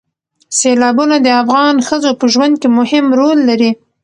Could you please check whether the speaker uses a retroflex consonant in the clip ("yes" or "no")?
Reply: no